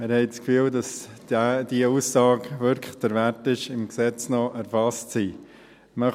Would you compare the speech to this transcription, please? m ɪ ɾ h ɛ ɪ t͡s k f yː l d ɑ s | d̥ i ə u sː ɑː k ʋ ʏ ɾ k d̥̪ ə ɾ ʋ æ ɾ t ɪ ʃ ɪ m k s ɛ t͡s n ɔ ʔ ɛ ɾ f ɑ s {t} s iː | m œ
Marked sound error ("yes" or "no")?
no